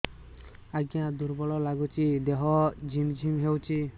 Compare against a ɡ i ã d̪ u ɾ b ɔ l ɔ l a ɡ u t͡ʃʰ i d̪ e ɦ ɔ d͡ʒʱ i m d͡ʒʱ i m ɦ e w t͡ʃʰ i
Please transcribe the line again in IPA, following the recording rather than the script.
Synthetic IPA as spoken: a ɡ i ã d̪ u ɾ b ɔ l ɔ l a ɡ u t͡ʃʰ i d̪ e ɦ ɔ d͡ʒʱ i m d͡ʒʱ i m ɦ e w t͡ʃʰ i